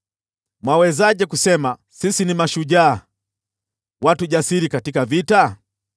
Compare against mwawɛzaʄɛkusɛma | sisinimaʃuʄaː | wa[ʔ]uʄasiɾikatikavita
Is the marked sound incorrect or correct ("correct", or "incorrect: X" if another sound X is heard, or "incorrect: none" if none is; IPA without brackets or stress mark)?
incorrect: t